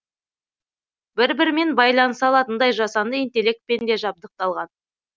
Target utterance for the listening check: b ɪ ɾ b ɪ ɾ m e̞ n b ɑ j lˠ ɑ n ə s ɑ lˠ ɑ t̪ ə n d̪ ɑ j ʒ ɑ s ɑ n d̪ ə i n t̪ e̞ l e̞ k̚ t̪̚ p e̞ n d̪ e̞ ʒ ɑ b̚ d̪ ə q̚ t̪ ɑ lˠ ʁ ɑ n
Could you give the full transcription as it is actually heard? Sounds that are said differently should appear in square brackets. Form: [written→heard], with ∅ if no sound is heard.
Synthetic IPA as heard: b ɪ ɾ b ɪ ɾ m e̞ n b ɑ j lˠ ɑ n ə s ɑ lˠ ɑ t̪ ə n d̪ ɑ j ʒ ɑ s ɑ n d̪ ə i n t̪ e̞ l e̞ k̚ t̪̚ p e̞ n d̪ e̞ ʒ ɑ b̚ d̪ ə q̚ t̪ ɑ lˠ ʁ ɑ n